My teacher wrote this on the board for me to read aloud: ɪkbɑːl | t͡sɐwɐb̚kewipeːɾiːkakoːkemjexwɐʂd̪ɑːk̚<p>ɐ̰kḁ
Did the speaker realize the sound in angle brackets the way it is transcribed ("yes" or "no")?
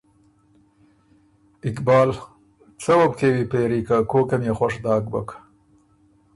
no